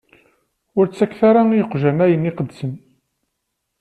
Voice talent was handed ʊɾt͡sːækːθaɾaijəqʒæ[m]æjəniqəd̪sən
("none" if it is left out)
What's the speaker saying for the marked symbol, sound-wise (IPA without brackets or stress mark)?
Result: n